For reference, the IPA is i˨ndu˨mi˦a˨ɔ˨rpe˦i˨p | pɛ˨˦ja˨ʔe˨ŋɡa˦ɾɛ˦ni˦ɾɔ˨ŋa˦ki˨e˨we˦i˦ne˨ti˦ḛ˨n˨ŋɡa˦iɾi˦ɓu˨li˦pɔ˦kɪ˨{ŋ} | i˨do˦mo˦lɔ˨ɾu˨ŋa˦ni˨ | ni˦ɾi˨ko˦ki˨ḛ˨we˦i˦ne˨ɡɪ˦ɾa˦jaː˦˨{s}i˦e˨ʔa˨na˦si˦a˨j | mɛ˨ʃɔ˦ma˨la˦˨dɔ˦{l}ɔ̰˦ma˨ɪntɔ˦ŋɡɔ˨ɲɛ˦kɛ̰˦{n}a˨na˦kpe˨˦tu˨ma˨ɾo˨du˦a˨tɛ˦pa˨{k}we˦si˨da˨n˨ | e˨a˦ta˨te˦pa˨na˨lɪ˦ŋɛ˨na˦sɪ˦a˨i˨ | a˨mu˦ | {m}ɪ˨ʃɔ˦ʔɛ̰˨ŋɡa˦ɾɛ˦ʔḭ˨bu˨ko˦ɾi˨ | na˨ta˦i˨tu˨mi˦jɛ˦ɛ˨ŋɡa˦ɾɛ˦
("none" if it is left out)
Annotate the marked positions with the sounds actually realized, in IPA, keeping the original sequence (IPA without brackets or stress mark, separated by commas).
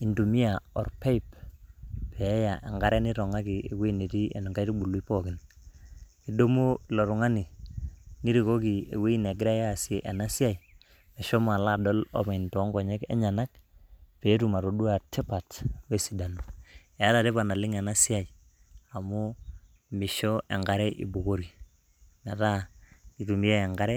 n, s, l, ɲ, t, m